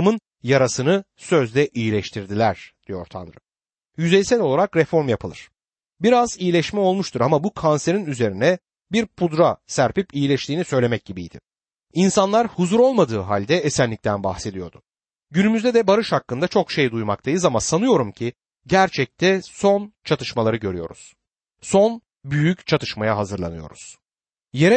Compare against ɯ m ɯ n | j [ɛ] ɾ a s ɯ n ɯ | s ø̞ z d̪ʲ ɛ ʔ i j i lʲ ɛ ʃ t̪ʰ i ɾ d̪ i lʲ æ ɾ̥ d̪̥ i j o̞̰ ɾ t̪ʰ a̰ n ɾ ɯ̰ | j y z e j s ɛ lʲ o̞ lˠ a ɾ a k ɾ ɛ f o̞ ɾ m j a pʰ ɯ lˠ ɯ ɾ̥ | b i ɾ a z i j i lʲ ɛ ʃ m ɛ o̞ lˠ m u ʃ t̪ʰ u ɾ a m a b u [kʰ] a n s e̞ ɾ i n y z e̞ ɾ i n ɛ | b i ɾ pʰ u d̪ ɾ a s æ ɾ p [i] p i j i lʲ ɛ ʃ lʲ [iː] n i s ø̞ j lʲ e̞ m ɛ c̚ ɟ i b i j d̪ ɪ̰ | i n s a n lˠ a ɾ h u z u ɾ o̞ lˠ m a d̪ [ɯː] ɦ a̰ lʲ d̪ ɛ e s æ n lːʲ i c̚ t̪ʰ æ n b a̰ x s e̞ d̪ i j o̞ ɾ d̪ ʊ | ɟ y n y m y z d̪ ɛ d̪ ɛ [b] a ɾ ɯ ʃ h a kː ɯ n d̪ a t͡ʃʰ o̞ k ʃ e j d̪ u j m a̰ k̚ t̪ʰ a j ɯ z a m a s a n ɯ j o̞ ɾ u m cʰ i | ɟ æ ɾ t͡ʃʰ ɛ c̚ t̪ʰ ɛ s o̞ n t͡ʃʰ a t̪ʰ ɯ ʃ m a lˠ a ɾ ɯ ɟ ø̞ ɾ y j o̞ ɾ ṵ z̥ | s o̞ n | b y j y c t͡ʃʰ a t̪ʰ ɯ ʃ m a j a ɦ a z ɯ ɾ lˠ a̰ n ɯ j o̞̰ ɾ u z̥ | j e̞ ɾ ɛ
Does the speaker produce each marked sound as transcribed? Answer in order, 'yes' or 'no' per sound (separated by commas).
no, yes, yes, yes, yes, yes